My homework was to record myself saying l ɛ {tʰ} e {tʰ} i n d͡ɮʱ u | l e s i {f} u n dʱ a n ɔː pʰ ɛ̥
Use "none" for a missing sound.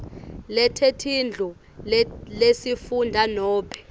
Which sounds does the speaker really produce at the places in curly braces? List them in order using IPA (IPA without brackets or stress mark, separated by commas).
tʰ, tʰ, f